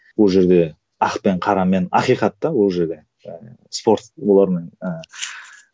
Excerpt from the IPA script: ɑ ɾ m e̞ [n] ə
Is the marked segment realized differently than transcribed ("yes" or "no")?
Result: no